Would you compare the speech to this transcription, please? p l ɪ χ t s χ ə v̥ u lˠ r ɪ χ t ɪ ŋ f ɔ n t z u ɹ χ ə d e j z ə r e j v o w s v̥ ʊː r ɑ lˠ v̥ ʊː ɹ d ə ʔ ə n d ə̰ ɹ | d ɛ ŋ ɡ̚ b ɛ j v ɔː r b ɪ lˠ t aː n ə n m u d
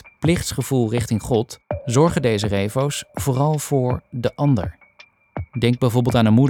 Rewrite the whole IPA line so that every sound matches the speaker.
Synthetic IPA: p l ɪ χ t s χ ə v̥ u lˠ r ɪ χ t ɪ ŋ χ ɔ t z ɔ ɹ χ ə d e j z ə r e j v o w s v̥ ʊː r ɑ lˠ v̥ ʊː ɹ d ə ʔ ɑ n d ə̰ ɹ | d ɛ ŋ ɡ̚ b ɛ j v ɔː ɹ b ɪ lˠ t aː n ə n m u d